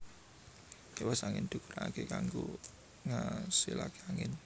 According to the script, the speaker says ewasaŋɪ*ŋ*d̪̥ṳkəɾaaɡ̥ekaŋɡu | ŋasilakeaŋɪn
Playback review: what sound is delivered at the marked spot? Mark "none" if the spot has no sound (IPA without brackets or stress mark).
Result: n